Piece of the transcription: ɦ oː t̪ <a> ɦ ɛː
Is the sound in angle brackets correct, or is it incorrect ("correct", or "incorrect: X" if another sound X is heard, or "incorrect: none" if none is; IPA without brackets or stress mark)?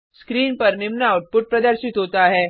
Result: correct